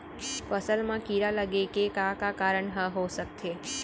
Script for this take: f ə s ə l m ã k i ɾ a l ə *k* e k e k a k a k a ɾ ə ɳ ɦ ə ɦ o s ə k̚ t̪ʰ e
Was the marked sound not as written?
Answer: yes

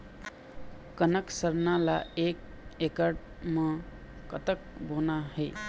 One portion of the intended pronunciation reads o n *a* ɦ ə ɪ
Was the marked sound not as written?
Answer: no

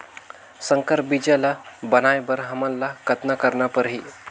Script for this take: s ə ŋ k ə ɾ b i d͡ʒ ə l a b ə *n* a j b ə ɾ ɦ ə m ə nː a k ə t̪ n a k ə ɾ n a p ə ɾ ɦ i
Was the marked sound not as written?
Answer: no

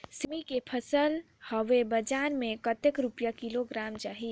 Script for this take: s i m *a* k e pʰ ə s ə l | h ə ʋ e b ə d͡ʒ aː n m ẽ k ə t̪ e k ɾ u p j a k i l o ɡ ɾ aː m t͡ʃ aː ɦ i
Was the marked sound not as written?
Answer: yes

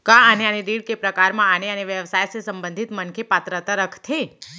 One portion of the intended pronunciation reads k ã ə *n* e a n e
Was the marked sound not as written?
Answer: no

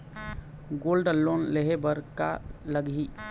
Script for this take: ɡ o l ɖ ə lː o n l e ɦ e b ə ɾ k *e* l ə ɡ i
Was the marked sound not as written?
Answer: yes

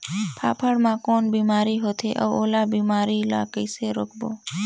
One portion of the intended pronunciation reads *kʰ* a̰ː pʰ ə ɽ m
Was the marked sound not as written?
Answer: yes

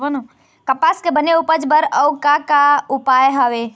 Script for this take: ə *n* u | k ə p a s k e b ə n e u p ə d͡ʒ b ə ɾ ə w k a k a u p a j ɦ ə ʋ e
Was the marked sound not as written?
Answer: no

